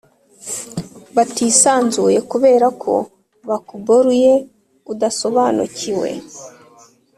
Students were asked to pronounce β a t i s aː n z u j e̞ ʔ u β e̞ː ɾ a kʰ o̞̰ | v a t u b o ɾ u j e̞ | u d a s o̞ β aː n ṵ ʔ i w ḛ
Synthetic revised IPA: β a t i s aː n z u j e̞ k u β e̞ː ɾ a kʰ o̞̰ | β a k u b o ɾ u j e̞ | u d a s o̞ β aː n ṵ c i w ḛ

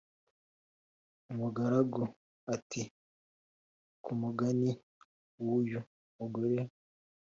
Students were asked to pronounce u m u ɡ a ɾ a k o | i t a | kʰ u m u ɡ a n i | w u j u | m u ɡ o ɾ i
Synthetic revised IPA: u m u ɡ a ɾ a ɡ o | a t i | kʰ u m u ɡ a n i | w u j u | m u ɡ o ɾ e

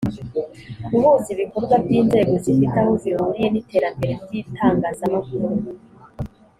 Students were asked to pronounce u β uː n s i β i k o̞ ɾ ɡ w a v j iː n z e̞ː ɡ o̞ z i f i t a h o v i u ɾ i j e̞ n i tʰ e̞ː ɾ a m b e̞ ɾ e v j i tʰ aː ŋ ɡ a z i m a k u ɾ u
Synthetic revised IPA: u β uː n s i β i k o̞ ɾ ɡ w a v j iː n z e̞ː ɡ o̞ z i f i t a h o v i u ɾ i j e̞ n i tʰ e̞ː ɾ a m b e̞ ɾ e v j i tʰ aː ŋ ɡ a z a m a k u ɾ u

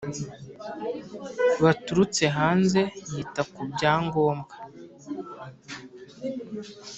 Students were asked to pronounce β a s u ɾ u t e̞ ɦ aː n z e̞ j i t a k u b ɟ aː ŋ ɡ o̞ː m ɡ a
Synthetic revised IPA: β a t u ɾ u t͡s e̞ ɦ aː n z e̞ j i t a k u b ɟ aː ŋ ɡ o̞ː m ɡ a

